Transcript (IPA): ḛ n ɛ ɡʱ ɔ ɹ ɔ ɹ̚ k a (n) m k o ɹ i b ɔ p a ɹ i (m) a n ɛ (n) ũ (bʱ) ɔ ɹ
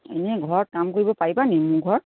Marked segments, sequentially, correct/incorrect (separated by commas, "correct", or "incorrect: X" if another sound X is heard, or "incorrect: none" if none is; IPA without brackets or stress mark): incorrect: none, incorrect: b, incorrect: m, incorrect: ɡʱ